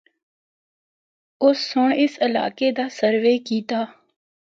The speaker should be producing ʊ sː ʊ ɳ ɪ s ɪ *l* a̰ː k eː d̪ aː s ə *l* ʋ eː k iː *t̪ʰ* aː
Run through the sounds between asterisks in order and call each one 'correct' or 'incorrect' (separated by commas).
correct, incorrect, incorrect